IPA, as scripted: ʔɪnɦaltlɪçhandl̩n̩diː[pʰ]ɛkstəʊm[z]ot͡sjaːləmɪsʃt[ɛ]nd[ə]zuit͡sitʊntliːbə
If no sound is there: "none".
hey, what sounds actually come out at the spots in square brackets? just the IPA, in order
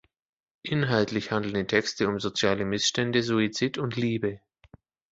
tʰ, z, ɛ, ə

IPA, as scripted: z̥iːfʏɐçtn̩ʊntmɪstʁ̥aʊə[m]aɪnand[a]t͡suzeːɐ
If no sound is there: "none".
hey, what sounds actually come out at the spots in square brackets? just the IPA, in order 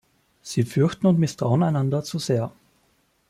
n, ɐ

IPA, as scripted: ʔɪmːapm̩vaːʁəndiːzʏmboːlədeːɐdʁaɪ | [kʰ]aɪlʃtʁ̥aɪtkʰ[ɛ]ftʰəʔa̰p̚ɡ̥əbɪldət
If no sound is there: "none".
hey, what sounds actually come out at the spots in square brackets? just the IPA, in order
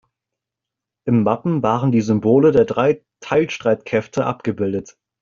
tʰ, ɛ

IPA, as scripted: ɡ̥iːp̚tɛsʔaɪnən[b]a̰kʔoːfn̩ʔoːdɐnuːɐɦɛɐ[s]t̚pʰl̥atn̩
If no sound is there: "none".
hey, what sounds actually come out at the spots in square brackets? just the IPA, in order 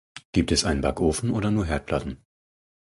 b, none

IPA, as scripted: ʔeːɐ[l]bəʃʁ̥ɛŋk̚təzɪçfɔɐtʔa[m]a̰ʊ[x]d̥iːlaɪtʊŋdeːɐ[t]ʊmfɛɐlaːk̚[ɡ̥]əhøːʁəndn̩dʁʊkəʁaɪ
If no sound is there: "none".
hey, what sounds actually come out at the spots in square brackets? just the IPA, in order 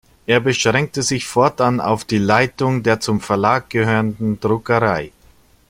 none, n, f, t͡s, ɡ̥

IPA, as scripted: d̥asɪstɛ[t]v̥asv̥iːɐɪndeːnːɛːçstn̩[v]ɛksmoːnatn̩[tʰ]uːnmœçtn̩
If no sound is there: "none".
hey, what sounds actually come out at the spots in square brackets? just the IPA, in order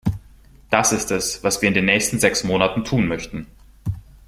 s, z, tʰ

